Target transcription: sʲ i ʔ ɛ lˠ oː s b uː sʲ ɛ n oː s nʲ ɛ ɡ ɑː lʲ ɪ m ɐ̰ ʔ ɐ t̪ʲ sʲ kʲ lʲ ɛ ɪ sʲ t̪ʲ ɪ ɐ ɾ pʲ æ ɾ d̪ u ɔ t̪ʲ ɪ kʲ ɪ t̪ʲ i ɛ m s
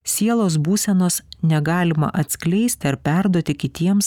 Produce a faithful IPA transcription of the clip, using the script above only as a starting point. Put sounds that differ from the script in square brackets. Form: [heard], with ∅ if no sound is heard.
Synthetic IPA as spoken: sʲ i [∅] ɛ lˠ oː s b uː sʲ ɛ n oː s nʲ ɛ ɡ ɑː lʲ ɪ m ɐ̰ ʔ ɐ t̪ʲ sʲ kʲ lʲ ɛ ɪ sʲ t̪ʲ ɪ ɐ ɾ pʲ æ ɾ d̪ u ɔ t̪ʲ ɪ kʲ ɪ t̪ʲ i ɛ m s